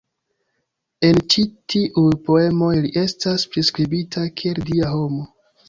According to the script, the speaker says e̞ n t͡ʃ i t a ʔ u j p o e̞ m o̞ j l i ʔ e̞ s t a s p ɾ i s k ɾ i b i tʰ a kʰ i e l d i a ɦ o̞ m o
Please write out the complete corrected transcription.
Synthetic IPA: e̞ n t͡ʃ i t i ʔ u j p o e̞ m o̞ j l i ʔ e̞ s t a s p ɾ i s k ɾ i b i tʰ a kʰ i e l d i a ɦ o̞ m o